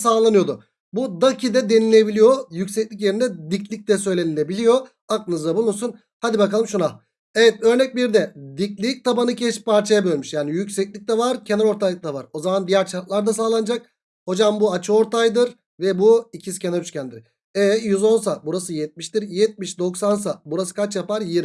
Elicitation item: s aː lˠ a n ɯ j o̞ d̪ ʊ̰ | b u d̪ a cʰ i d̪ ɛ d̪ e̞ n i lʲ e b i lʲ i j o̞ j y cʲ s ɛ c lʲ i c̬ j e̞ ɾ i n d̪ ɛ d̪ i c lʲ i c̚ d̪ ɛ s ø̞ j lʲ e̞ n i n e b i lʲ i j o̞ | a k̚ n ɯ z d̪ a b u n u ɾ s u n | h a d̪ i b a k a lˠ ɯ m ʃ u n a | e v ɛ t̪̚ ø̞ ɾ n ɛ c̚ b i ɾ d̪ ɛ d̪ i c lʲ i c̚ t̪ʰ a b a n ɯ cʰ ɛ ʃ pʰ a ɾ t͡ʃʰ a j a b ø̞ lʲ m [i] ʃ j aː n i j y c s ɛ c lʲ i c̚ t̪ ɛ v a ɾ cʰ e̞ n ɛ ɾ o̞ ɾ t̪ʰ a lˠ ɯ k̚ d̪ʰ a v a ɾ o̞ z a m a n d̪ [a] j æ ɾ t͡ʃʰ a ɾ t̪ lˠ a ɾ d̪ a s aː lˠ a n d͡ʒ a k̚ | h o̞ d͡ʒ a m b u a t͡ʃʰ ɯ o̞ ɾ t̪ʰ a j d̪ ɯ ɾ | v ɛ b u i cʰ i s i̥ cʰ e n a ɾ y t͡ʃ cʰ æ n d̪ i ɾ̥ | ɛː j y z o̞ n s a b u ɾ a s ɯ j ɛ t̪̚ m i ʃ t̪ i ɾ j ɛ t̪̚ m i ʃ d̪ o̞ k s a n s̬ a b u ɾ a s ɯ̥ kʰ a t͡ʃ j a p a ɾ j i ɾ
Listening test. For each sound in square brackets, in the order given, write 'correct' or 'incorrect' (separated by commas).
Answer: incorrect, incorrect